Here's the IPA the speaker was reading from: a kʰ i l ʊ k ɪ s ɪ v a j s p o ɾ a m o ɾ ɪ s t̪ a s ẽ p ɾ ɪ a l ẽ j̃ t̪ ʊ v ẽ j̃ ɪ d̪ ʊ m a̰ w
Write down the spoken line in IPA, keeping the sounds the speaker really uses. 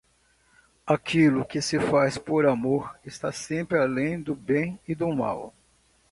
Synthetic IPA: a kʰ i l ʊ k ɪ s ɪ f a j s p o ɾ a m o ɾ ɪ s t̪ a s ẽ p ɾ ɪ a l ẽ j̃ d̪ ʊ b ẽ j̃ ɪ d̪ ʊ m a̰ w